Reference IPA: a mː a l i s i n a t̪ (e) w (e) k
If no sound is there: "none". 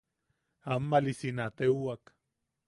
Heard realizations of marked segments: e, a

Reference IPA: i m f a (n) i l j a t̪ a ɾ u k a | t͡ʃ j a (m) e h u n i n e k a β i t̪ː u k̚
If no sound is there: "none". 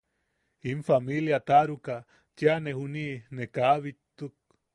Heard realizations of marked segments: m, n

